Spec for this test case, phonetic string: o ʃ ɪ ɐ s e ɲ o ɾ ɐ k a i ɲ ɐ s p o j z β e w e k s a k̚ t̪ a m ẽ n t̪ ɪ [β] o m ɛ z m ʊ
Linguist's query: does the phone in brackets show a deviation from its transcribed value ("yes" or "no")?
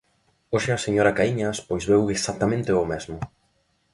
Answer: yes